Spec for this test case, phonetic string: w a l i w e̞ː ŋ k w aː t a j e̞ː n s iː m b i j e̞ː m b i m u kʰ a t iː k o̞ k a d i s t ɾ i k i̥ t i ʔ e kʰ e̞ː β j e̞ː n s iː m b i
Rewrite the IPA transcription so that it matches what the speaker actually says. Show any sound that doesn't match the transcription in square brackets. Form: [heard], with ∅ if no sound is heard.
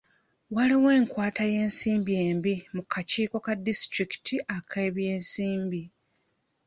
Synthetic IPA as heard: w a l i w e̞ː ŋ k w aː t a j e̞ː n s iː m b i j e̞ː m b i m u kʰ a [c] iː k o̞ k a d i s t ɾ i k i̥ t i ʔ [a] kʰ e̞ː β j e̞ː n s iː m b i